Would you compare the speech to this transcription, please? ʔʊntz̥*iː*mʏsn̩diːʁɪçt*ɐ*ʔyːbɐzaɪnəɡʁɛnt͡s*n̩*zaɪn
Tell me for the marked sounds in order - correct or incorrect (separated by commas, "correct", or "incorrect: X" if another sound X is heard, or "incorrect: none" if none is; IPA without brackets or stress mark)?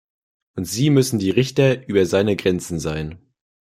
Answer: correct, correct, correct